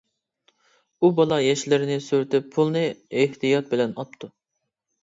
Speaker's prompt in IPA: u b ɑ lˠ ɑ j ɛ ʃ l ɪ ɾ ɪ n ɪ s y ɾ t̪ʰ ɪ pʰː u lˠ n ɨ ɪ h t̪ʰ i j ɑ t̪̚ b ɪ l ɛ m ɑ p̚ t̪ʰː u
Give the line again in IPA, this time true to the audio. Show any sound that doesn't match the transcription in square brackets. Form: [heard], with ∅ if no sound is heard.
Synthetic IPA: u b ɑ lˠ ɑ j ɛ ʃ l ɪ ɾ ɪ n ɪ s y ɾ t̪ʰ ɪ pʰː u lˠ n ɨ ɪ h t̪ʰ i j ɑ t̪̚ b ɪ l ɛ [n] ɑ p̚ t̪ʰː u